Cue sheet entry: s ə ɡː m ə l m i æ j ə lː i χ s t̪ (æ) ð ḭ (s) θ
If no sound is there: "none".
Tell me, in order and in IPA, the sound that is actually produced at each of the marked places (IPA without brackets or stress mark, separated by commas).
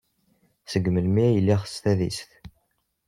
æ, s